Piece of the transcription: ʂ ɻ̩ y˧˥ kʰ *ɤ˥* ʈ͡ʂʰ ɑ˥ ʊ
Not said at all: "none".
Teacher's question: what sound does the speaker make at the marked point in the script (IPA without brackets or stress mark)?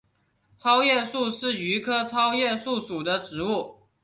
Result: ɤ˥